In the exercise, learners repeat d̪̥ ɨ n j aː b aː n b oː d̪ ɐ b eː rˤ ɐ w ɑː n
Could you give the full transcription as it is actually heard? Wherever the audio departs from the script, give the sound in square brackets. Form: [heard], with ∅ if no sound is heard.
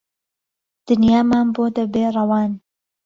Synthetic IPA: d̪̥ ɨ n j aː [m] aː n b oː d̪ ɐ b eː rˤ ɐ w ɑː n

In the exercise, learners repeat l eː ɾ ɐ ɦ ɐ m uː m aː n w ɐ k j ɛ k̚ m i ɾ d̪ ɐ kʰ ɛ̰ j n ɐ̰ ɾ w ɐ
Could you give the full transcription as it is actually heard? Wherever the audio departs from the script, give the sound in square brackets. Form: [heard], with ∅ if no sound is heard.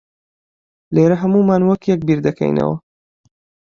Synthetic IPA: l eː ɾ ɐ ɦ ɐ m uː m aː n w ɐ k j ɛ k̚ [b] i ɾ d̪ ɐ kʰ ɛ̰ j n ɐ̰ [∅] w ɐ

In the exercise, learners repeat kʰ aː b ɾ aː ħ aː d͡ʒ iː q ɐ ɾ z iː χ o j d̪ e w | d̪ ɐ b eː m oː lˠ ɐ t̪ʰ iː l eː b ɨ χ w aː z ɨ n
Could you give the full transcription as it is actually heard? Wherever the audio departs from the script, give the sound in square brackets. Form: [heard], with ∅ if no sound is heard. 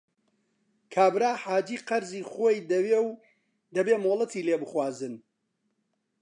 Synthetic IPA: kʰ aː b ɾ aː ħ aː d͡ʒ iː q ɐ ɾ z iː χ o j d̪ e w | d̪ ɐ b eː m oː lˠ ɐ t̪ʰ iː l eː b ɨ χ w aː z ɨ n

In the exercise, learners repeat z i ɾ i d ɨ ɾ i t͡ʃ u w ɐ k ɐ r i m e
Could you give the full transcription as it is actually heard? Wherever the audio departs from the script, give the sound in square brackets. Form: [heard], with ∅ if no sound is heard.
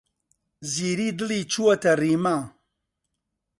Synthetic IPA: z i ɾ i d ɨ [l] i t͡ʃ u w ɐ [t] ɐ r i m [a]

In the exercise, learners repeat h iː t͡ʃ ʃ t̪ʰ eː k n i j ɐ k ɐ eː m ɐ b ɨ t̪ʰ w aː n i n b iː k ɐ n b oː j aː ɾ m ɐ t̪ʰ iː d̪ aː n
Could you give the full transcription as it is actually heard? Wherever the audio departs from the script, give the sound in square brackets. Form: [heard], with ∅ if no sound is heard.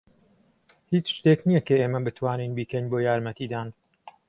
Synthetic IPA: h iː t͡ʃ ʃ [t̪] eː k n i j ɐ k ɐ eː m ɐ b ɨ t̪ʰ w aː n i n b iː k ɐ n b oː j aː ɾ m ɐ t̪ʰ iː d̪ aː n

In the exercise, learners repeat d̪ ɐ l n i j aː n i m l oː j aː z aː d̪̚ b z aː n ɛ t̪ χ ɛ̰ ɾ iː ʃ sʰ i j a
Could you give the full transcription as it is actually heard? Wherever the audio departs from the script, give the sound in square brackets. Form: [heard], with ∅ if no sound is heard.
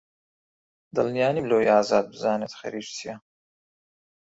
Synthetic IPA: d̪ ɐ l n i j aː n i m l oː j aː z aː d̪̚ b z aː n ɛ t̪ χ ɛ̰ ɾ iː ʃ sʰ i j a

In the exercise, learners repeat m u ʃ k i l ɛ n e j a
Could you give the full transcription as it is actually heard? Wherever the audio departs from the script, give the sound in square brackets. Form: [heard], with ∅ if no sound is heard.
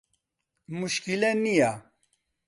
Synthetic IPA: m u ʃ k i l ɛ n [i] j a

